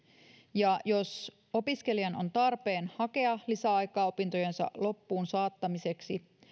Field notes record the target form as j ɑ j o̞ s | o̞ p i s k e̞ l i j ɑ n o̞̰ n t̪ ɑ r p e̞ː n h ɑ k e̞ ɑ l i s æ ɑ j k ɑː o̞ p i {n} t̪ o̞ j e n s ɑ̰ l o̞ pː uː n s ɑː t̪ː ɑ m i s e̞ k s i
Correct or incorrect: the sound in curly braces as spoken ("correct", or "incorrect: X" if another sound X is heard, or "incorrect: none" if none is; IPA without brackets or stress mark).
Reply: correct